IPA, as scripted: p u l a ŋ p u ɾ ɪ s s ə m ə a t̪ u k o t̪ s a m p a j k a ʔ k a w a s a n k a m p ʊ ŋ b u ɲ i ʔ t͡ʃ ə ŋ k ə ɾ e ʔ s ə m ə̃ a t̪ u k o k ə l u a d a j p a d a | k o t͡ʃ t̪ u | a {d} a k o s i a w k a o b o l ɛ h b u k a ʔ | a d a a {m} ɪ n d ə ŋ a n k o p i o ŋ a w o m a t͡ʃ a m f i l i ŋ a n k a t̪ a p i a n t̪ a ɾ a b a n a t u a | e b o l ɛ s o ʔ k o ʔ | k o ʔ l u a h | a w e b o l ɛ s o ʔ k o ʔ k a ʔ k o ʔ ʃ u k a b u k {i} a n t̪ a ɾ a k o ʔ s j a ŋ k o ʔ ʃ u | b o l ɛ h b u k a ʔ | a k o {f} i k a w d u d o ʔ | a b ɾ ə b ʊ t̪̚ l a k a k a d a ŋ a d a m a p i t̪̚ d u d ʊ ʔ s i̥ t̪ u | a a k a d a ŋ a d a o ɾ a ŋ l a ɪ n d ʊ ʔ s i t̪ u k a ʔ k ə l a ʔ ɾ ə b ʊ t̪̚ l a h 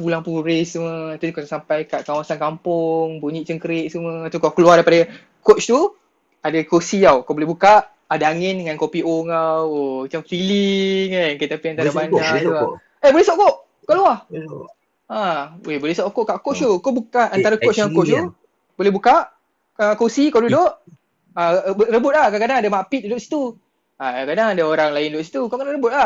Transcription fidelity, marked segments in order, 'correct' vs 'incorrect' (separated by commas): correct, incorrect, incorrect, incorrect